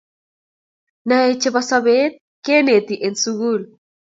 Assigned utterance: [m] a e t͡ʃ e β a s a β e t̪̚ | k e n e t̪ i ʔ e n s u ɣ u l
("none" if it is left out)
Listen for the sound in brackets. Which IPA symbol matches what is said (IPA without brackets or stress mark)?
n